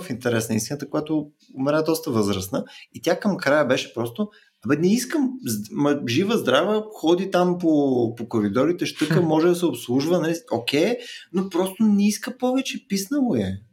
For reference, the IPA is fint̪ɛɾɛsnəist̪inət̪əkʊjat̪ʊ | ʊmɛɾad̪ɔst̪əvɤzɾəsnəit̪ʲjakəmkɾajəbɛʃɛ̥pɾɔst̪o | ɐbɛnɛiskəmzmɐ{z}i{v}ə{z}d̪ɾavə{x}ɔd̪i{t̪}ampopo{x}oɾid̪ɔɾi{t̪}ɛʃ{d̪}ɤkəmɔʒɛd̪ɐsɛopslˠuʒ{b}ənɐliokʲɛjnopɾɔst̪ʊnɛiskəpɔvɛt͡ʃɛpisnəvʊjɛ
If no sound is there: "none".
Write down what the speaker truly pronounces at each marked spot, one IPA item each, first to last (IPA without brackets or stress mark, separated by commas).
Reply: ʒ, v, z, x, t̪, k, t̪, t̪, v